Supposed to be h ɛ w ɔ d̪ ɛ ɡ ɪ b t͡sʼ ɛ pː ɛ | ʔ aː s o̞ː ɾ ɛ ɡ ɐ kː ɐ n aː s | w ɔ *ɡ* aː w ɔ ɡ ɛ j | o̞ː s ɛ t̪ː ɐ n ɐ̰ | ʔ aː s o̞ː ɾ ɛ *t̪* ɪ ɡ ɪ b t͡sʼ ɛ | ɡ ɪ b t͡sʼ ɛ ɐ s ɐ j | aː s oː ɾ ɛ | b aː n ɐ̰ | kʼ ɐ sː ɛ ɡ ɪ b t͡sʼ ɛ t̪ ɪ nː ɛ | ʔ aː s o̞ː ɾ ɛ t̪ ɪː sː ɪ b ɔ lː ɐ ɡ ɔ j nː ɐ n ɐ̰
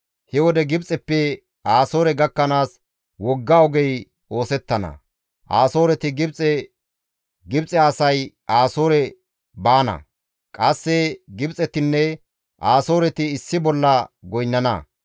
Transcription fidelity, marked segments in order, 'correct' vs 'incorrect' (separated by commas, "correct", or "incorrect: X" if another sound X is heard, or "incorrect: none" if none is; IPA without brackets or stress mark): incorrect: ɡː, correct